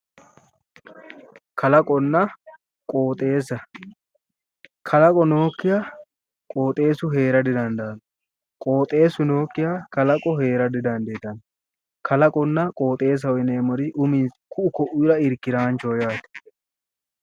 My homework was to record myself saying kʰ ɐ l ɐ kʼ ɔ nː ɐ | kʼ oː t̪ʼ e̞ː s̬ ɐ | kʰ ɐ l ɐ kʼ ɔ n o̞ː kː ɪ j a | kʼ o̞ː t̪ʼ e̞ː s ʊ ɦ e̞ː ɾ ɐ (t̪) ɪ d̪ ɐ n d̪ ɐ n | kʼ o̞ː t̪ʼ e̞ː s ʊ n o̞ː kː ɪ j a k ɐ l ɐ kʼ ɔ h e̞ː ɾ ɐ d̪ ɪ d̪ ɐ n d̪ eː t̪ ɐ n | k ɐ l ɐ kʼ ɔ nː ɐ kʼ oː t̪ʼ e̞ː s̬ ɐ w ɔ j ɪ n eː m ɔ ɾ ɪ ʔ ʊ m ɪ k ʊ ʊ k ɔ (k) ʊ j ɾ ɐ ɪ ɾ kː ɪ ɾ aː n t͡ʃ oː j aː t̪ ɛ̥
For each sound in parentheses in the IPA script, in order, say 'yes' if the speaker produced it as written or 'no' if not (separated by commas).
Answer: no, no